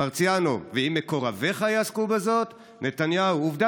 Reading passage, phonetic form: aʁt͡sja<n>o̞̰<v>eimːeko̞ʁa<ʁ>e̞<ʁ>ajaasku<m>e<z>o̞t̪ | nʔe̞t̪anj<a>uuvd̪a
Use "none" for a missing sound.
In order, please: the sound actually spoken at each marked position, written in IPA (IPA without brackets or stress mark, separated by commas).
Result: n, v, v, χ, b, z, a